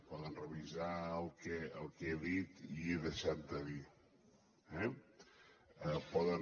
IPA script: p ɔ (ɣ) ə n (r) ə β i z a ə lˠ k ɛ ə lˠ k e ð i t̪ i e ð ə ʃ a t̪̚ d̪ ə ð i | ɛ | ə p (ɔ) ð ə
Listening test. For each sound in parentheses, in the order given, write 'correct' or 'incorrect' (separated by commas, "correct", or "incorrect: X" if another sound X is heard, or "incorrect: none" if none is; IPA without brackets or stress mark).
incorrect: ð, correct, correct